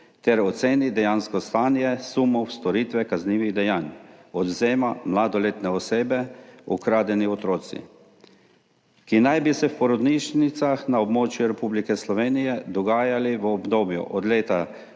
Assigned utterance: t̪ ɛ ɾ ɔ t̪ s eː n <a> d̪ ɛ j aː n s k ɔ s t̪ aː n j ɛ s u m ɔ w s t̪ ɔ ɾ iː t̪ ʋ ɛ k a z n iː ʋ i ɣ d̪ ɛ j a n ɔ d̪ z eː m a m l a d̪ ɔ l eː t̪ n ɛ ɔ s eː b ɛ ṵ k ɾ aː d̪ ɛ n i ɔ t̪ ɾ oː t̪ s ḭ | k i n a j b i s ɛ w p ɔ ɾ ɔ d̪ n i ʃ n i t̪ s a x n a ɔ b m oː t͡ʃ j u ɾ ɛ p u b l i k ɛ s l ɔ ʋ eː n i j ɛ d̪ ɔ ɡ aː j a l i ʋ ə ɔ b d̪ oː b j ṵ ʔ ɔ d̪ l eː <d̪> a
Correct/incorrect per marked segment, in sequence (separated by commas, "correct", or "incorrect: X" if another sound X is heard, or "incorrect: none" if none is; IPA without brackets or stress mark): incorrect: i, incorrect: t̪